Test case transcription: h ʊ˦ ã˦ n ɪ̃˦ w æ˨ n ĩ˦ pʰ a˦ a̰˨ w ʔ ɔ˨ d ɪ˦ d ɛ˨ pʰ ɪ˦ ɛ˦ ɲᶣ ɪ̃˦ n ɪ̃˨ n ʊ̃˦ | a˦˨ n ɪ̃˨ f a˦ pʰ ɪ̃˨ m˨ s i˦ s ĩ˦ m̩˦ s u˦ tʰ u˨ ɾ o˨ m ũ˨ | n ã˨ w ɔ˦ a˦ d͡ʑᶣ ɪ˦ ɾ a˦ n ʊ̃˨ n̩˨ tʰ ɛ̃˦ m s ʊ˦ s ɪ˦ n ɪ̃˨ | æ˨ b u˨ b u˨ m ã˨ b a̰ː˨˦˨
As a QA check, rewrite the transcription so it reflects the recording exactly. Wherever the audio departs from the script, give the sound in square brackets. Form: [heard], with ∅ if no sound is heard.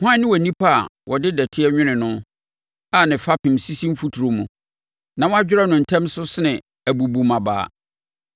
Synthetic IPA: h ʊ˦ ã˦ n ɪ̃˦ w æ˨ n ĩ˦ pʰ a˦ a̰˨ w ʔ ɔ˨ d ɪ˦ d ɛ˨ [tʰ] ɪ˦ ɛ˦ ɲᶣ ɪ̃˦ n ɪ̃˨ n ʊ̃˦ | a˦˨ n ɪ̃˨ f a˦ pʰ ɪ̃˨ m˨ s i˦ s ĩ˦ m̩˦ [f] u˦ tʰ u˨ ɾ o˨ m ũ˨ | n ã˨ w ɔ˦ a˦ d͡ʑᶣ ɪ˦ ɾ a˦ n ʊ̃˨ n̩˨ tʰ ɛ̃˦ m s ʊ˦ s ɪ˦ n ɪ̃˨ | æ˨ b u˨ b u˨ m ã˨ b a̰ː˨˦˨